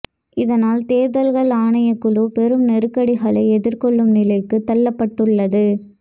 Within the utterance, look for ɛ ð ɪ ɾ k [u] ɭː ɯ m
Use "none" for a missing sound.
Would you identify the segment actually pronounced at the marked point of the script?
ɔ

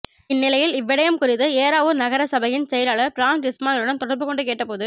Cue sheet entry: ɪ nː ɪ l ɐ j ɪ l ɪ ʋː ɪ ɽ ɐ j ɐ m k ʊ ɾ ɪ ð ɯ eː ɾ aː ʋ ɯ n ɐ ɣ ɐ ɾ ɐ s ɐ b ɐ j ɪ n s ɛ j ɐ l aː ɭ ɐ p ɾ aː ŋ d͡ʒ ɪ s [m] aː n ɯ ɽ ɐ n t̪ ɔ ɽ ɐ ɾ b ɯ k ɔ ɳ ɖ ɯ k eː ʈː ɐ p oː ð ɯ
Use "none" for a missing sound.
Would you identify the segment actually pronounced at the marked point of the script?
m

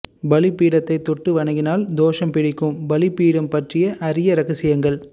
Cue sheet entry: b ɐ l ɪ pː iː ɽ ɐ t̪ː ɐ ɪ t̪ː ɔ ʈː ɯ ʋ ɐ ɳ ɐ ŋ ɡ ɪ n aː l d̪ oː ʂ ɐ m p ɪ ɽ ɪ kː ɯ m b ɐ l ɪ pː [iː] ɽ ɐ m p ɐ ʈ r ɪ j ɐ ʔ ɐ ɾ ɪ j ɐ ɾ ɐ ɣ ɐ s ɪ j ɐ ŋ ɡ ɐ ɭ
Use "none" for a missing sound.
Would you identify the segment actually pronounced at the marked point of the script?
iː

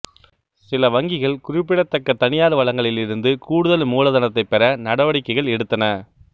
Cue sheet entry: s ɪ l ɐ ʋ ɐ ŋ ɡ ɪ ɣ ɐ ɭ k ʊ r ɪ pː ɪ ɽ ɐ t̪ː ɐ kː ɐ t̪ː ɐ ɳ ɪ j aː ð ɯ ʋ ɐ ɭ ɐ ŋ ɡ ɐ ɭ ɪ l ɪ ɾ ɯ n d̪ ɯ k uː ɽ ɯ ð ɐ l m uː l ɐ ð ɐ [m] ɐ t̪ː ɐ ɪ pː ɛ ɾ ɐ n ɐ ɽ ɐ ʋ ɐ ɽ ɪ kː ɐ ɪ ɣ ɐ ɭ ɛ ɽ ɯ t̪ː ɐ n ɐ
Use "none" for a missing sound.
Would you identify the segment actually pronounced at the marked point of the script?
n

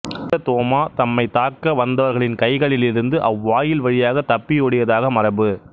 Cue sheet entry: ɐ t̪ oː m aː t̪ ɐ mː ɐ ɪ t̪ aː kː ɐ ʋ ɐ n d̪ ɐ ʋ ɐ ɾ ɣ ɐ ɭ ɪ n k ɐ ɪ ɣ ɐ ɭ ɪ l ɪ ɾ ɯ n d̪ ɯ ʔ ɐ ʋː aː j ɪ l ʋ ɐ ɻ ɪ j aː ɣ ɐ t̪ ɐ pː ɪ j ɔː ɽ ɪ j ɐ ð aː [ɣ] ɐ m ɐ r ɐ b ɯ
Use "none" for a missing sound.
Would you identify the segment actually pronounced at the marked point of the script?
ɣ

